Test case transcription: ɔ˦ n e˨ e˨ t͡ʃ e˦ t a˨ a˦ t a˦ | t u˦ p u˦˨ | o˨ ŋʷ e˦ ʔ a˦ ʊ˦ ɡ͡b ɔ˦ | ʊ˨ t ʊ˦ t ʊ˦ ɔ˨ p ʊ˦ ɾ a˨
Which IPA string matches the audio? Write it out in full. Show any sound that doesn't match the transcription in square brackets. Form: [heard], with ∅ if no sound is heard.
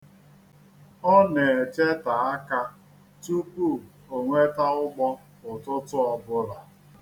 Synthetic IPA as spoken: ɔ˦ n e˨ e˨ t͡ʃ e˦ t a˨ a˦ [k] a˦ | t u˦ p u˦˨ | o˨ ŋʷ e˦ [t] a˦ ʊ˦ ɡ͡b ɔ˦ | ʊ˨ t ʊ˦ t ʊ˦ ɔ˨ [b] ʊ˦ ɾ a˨